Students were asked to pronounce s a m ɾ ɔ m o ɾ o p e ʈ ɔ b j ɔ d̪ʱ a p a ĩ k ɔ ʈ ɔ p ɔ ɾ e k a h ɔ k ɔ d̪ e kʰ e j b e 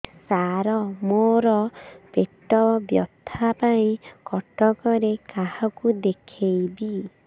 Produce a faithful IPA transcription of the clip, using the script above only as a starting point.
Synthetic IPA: s a ɾ ɔ m o ɾ ɔ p e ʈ ɔ b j ɔ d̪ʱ a p a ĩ k ɔ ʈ ɔ k ɔ ɾ e k a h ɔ k u d̪ e kʰ e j b i